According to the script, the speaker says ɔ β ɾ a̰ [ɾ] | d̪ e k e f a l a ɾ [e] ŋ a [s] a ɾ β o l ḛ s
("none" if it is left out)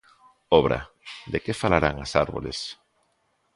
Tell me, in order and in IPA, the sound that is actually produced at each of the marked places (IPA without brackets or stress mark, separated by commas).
none, a, s